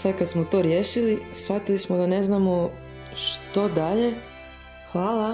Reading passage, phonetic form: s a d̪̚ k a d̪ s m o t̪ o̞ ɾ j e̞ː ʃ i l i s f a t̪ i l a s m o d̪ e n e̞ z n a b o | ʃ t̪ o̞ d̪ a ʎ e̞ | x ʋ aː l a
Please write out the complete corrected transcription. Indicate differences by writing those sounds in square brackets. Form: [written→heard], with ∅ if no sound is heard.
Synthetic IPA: s a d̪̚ k a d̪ s m o t̪ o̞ ɾ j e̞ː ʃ i l i s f a t̪ i l [a→i] s m o d̪ [e→a] n e̞ z n a [b→m] o | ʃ t̪ o̞ d̪ a ʎ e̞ | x ʋ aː l a